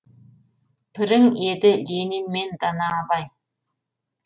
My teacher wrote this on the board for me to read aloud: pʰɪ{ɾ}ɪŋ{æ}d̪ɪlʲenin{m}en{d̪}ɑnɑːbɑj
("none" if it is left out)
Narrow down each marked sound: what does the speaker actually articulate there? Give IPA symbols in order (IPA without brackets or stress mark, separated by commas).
ɾ, e, m, d̪